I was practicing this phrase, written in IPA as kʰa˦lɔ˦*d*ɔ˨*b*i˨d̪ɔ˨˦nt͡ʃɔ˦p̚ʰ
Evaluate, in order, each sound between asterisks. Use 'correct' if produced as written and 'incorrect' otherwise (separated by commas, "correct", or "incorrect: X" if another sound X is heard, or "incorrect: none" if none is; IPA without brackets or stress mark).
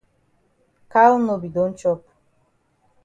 incorrect: n, correct